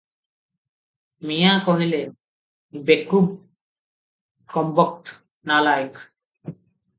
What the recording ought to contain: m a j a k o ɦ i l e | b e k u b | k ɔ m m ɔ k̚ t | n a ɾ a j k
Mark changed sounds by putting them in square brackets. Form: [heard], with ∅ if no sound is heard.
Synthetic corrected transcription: m [i] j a k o ɦ i l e | b e k u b | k ɔ m [b] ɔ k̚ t | n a [l] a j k